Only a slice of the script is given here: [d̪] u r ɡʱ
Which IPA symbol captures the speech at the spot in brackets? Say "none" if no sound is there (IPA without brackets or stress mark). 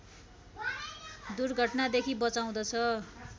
d̪